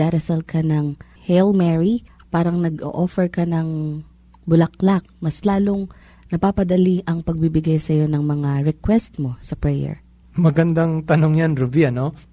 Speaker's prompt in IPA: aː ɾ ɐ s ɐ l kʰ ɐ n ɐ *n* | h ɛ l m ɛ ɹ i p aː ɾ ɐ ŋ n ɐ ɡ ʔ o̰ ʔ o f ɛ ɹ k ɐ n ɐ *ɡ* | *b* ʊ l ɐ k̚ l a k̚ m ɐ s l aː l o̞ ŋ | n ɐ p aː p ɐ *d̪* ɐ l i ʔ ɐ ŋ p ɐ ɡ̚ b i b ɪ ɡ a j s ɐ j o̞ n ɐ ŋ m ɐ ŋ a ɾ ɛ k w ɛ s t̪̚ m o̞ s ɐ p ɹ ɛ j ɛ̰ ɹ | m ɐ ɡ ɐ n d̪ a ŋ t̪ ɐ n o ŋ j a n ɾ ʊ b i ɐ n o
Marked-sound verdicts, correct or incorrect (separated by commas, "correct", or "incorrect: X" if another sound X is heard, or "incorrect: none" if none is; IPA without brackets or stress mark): incorrect: ŋ, incorrect: ŋ, correct, correct